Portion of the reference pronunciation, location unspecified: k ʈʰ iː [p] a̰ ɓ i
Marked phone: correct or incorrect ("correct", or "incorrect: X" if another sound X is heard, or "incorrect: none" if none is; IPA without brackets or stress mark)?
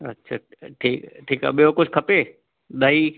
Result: incorrect: k